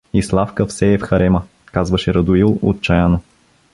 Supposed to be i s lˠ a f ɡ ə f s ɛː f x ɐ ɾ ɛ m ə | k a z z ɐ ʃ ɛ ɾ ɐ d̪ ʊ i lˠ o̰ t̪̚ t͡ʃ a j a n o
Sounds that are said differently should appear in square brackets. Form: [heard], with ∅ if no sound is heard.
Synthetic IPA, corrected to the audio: i s lˠ a f [k] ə f s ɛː f x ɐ ɾ ɛ m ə | k a z [v] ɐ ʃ ɛ ɾ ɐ d̪ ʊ i lˠ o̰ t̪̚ t͡ʃ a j a n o